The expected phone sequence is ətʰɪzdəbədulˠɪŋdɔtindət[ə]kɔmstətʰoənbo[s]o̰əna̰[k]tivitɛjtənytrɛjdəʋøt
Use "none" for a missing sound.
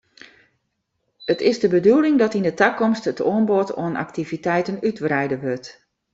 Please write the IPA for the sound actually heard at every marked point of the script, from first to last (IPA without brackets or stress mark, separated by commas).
a, t, k